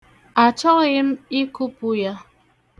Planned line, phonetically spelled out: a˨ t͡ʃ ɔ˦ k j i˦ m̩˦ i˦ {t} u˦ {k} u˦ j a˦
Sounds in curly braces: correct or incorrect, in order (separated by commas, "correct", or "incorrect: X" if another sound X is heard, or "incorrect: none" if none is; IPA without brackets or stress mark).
incorrect: k, incorrect: p